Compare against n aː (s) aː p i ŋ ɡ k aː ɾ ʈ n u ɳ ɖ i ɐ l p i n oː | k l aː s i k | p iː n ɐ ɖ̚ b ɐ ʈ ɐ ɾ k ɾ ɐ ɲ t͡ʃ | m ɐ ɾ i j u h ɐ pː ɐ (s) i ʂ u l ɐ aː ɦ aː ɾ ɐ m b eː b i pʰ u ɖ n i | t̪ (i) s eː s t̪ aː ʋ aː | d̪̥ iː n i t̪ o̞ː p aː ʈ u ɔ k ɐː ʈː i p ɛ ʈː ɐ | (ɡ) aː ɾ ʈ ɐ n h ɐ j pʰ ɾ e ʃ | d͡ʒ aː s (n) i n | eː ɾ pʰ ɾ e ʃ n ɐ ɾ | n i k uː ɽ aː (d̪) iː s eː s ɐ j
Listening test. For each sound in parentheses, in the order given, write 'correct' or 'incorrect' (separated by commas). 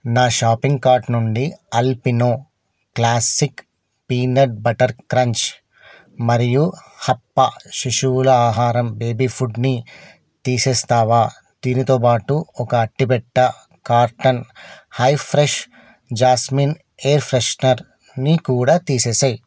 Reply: incorrect, incorrect, incorrect, incorrect, incorrect, incorrect